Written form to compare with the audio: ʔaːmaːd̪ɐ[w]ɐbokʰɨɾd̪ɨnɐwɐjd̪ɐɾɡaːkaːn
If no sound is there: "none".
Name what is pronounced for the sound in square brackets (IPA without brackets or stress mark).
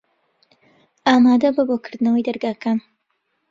b